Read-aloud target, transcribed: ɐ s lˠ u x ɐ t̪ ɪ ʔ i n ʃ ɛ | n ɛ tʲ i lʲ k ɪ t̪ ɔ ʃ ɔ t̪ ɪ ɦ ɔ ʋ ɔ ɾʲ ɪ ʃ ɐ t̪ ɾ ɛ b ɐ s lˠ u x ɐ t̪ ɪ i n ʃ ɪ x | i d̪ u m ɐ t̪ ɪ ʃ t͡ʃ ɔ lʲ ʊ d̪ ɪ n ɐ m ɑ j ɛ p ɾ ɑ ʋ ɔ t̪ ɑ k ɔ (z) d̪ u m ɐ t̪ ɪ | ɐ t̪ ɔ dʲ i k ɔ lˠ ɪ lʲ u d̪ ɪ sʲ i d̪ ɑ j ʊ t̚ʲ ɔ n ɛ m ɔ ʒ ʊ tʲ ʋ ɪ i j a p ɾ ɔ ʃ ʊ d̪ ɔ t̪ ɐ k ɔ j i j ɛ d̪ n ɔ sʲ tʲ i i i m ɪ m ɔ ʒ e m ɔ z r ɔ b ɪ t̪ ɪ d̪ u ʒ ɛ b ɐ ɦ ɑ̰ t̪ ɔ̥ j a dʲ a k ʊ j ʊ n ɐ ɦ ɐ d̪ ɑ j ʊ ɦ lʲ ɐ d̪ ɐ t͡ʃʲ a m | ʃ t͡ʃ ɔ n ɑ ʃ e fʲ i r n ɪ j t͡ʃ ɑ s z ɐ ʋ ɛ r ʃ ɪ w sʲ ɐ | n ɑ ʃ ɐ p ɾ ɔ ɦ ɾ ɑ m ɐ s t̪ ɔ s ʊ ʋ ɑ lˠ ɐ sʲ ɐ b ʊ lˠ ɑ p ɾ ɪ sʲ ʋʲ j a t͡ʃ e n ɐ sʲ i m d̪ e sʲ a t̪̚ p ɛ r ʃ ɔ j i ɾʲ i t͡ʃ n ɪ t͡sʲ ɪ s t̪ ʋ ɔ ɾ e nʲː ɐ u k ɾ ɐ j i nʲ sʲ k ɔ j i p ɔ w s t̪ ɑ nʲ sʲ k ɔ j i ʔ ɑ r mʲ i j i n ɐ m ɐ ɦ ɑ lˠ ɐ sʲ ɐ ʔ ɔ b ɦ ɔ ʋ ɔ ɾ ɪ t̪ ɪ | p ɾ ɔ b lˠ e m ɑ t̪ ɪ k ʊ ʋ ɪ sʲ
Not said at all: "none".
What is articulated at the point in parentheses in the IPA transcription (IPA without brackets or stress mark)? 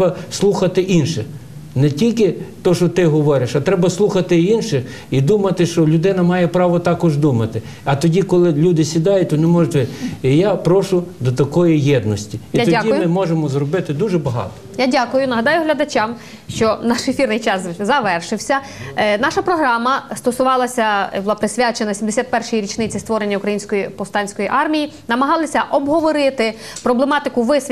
ʒ